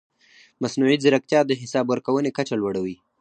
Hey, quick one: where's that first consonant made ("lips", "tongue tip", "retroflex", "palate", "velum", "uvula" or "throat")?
lips